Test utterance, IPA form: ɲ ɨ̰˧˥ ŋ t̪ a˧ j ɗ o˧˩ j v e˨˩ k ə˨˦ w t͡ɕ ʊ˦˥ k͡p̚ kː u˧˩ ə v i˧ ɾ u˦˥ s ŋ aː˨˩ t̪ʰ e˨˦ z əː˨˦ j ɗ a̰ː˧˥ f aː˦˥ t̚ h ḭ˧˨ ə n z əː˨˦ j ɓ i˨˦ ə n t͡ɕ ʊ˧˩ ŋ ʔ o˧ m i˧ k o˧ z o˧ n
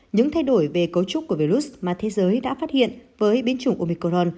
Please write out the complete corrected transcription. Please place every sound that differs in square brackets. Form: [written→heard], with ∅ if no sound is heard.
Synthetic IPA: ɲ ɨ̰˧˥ ŋ [t̪→t̪ʰ] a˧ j ɗ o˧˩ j v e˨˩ k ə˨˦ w t͡ɕ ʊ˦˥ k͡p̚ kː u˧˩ ə v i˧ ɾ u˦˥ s [ŋ→m] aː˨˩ t̪ʰ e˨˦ z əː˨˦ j ɗ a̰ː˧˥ f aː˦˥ t̚ h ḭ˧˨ ə n [z→v] əː˨˦ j ɓ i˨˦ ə n t͡ɕ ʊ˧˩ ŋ ʔ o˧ m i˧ k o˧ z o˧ n